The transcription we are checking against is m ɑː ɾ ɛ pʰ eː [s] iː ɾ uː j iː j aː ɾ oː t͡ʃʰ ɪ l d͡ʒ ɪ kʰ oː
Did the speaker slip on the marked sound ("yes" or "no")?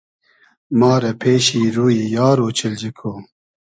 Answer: yes